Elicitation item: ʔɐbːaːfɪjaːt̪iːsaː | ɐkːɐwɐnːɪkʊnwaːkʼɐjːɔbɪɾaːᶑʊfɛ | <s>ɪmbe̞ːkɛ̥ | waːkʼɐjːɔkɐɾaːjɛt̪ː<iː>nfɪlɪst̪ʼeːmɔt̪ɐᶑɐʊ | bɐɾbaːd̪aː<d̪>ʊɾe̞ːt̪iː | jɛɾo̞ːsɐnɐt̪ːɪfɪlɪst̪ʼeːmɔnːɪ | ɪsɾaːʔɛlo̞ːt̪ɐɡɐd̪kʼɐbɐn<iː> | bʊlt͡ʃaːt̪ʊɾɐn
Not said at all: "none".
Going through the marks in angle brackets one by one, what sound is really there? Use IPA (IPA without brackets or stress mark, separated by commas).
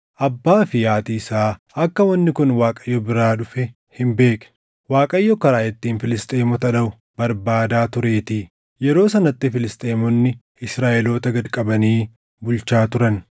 h, iː, t̪, iː